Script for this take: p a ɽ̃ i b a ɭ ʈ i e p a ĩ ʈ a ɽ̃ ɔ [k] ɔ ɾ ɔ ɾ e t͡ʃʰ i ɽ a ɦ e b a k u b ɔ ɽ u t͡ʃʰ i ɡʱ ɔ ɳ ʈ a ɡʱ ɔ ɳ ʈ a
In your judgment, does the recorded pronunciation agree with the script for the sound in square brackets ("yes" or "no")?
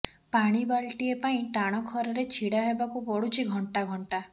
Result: no